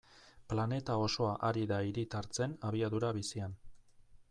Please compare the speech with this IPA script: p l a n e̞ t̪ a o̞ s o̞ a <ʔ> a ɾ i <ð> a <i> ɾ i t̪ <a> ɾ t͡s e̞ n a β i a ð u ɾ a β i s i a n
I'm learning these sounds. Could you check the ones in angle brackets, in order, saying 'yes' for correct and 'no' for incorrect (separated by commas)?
yes, yes, yes, yes